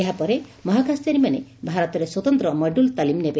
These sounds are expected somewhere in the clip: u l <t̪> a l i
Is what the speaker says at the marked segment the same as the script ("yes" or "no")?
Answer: yes